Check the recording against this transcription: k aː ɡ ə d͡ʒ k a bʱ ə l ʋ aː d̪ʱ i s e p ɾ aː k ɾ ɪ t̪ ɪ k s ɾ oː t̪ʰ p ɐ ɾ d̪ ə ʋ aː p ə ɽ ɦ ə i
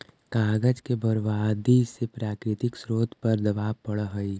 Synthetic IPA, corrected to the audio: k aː ɡ ə d͡ʒ k e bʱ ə ɾ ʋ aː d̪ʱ i s e p ɾ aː k ɾ ɪ t̪ ɪ k s ɾ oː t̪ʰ p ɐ ɾ d̪ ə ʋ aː p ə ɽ ɦ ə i